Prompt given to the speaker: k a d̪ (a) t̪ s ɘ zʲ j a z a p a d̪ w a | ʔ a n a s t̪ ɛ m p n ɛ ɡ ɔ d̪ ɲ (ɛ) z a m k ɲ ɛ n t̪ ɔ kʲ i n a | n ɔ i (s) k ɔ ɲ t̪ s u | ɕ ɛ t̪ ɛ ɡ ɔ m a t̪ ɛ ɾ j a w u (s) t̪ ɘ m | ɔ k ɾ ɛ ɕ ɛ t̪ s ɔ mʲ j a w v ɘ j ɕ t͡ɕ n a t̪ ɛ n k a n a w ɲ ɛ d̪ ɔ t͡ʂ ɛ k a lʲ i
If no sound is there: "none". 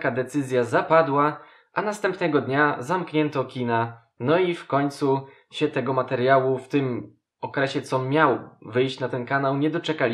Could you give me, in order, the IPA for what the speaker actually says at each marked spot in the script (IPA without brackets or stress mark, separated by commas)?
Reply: ɛ, a, f, f